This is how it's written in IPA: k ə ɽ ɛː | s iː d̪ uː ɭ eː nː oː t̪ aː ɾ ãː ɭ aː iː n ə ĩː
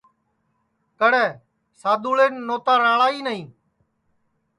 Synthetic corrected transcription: k ə ɽ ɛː | s aː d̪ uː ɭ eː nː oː t̪ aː ɾ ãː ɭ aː iː n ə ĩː